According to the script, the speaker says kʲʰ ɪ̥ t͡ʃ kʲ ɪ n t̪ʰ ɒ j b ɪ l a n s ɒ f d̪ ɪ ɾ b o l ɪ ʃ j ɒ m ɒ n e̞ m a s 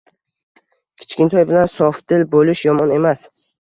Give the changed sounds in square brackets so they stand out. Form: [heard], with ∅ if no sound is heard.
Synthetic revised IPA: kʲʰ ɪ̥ t͡ʃ kʲ ɪ n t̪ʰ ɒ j b ɪ l a n s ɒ f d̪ ɪ [l] b o l ɪ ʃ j ɒ m ɒ n e̞ m a s